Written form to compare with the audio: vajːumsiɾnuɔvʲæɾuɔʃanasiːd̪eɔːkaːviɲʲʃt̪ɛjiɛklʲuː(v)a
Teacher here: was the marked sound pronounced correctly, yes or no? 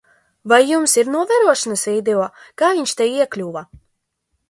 yes